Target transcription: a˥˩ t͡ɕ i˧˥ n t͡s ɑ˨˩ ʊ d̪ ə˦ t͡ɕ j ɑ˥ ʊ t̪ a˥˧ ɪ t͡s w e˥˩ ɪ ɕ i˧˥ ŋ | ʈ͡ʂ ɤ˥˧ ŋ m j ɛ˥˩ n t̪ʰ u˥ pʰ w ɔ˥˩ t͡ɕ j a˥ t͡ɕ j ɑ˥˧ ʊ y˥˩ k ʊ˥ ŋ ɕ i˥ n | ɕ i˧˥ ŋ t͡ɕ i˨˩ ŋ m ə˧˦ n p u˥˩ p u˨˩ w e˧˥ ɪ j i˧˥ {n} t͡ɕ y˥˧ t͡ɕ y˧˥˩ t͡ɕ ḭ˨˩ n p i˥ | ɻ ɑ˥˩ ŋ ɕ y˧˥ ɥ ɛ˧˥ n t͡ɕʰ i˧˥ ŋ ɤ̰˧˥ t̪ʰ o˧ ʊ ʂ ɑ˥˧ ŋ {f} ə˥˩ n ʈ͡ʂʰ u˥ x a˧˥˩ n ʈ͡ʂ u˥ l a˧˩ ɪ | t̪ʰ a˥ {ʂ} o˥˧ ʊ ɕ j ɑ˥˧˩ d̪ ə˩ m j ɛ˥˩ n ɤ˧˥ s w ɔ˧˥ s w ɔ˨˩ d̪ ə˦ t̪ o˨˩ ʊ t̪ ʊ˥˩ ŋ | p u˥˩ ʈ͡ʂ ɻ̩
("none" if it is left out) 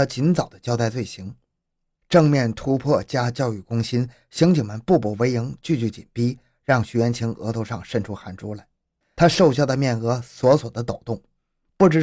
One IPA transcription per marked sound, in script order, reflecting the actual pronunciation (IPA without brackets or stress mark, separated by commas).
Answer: ŋ, ʂ, ʂ